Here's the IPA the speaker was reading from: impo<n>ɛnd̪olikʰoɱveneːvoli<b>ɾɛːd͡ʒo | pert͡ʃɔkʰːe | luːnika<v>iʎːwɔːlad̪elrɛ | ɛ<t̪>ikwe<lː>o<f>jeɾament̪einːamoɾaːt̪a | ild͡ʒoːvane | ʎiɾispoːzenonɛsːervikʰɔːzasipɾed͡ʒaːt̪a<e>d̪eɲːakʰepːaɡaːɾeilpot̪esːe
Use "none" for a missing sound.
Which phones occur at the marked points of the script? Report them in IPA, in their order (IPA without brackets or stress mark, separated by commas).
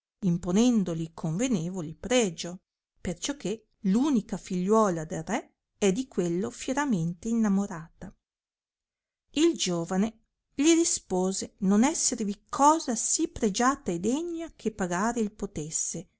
n, p, f, d̪, lː, f, e